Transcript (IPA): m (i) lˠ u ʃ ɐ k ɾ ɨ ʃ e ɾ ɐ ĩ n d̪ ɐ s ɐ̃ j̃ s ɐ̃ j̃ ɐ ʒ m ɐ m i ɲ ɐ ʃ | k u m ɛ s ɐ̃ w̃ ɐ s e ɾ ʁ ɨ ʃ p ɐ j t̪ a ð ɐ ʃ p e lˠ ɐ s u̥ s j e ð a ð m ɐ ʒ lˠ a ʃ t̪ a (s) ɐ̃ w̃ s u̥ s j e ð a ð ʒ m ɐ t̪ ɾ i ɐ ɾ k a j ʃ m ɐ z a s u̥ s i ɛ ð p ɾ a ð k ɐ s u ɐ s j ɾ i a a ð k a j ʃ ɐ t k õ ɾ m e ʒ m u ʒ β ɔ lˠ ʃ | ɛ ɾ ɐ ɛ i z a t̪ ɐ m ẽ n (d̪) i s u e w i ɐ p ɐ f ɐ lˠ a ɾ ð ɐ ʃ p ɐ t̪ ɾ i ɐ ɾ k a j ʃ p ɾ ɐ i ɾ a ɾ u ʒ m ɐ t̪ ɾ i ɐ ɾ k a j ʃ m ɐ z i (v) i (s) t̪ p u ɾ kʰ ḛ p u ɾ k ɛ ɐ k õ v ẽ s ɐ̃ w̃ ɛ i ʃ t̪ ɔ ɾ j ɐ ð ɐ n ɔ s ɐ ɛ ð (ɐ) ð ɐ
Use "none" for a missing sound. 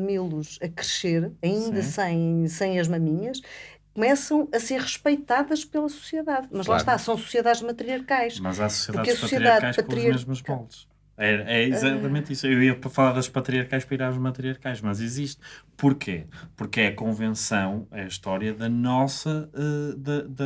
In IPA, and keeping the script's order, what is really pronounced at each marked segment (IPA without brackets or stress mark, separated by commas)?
i, s, t̪, z, ʃ, ɐ